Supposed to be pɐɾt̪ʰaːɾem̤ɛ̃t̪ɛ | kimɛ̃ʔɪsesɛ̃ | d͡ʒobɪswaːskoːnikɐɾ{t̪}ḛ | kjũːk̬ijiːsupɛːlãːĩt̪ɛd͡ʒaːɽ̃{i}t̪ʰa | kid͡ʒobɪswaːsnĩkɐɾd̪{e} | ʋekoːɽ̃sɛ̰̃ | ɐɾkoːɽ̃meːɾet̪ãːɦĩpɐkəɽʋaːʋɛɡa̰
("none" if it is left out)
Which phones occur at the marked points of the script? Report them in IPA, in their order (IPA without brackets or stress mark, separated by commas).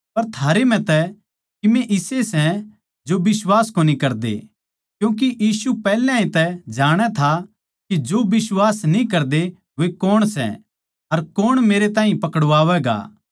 d̪, ɛ, e